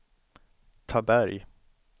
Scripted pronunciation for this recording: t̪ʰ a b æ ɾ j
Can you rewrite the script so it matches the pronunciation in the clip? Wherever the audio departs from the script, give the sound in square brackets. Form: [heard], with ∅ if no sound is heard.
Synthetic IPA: t̪ʰ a b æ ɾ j